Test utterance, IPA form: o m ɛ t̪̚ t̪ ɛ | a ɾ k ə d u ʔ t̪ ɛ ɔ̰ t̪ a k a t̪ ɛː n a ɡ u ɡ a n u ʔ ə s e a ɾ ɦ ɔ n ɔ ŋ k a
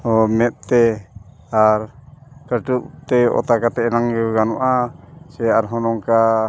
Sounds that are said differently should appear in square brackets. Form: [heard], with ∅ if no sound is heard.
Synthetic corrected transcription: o m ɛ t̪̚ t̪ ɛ | a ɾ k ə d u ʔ t̪ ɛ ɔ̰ t̪ a k a t̪ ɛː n a [ŋ] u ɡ a n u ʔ [a] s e a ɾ ɦ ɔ n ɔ ŋ k a